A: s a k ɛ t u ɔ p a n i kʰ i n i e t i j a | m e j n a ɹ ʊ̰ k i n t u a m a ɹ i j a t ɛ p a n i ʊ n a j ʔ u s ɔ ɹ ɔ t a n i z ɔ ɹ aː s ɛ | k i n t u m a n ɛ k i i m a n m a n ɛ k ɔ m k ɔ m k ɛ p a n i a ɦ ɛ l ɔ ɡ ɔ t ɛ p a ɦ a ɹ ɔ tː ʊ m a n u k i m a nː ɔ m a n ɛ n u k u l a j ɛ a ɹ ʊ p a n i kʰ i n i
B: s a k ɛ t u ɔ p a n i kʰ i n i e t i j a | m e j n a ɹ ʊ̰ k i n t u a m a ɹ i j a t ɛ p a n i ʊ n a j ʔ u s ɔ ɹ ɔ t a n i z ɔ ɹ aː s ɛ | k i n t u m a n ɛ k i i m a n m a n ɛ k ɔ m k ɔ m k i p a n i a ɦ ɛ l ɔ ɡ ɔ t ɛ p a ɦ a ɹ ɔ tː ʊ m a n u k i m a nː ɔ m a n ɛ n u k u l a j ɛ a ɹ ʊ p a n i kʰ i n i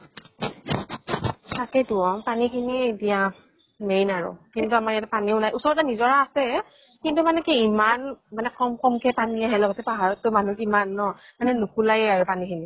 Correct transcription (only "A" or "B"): A